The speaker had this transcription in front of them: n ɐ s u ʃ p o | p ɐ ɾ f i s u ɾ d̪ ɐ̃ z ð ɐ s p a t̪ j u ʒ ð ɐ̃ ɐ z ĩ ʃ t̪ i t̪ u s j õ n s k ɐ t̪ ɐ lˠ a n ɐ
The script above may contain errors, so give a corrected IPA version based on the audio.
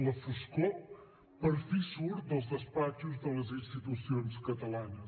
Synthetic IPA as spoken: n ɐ f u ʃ k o | p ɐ ɾ f i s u ɾ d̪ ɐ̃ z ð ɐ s p a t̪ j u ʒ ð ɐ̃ ɐ z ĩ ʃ t̪ i t̪ u s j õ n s k ɐ t̪ ɐ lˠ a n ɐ